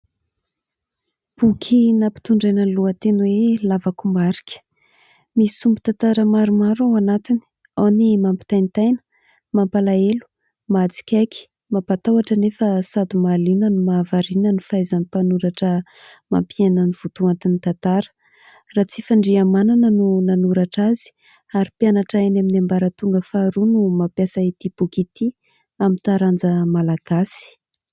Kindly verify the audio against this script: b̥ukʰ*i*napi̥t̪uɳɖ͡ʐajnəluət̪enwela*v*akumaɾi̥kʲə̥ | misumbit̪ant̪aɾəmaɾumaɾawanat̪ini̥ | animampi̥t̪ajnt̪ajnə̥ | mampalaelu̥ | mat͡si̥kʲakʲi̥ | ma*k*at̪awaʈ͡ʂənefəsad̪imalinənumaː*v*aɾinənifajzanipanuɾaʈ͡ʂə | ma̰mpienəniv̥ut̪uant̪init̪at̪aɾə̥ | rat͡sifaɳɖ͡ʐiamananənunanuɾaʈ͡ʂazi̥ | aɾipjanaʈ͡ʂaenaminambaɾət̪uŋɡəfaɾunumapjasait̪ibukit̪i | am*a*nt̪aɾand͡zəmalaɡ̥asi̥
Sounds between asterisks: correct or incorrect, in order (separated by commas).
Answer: correct, correct, incorrect, correct, incorrect